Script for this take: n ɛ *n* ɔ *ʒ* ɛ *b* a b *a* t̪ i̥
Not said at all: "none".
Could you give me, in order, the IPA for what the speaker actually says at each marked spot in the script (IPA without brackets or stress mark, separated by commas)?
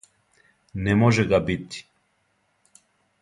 m, ʒ, ɡ, i